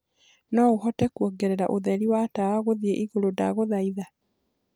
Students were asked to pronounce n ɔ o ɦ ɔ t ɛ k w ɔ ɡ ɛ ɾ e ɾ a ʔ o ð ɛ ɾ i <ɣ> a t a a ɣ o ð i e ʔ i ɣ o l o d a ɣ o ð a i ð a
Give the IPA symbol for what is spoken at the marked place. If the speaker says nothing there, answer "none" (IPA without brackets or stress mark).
w